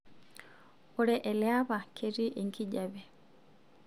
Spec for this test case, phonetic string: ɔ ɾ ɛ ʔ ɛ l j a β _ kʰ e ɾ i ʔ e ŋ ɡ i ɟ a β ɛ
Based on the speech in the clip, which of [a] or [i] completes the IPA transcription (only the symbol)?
a